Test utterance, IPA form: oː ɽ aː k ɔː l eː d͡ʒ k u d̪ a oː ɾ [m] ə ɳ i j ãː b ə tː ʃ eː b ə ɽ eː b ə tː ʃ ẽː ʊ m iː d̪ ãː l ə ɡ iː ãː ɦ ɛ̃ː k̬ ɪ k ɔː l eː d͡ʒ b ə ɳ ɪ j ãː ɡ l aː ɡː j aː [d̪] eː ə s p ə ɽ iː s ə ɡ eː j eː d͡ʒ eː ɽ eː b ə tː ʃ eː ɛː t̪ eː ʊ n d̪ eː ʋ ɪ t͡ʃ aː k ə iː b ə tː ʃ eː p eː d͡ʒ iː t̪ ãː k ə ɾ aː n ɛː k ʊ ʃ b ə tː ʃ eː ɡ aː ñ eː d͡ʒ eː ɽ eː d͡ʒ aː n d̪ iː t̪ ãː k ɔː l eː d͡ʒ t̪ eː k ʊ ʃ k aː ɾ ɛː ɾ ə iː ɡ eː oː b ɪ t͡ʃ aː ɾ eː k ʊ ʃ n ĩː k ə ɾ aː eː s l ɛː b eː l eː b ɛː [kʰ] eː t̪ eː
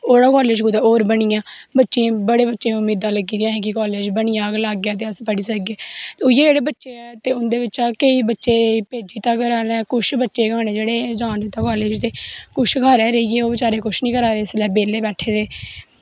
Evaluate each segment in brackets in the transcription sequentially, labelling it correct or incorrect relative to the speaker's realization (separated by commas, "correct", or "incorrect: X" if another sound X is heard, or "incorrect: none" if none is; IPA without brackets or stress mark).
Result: incorrect: b, incorrect: t̪, incorrect: ʈʰ